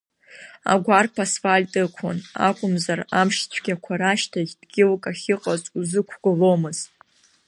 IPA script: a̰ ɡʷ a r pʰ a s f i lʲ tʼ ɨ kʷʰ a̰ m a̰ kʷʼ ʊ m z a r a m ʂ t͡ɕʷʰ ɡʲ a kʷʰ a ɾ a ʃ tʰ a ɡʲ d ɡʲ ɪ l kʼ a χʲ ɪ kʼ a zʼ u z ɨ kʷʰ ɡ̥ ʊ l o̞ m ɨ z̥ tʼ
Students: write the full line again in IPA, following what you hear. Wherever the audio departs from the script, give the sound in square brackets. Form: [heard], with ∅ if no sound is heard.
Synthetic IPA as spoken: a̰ ɡʷ a r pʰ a s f [a] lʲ tʼ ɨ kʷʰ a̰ [n] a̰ kʷʼ ʊ m z a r a m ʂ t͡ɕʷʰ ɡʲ a kʷʰ a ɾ a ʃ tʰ a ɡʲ d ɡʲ ɪ l kʼ a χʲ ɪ [qʼ] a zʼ u z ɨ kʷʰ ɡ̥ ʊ l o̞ m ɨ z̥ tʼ